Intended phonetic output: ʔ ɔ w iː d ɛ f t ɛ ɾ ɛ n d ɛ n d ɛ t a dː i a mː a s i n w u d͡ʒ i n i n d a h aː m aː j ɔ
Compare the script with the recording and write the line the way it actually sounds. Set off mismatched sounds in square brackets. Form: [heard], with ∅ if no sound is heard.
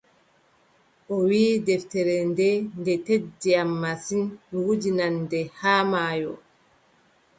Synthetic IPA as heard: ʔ ɔ w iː d ɛ f t ɛ ɾ ɛ n d ɛ n d ɛ t [e] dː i a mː a s i n w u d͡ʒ i n [a] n d [ɛ] h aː m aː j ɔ